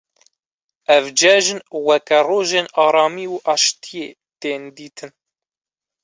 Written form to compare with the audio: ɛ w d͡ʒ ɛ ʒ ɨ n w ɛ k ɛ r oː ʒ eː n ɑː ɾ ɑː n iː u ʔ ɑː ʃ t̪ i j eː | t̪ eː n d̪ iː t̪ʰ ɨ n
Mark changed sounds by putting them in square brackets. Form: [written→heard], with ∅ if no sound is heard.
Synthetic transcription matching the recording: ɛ [w→v] d͡ʒ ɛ ʒ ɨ n w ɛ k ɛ r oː ʒ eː n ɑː ɾ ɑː [n→m] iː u ʔ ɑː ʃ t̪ i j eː | t̪ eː n d̪ iː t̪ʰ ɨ n